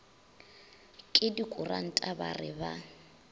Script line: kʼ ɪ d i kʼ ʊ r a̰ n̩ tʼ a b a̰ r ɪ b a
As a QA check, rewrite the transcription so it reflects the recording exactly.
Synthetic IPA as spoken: kʼ ɪ d i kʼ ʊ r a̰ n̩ tʼ a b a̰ r ɪ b a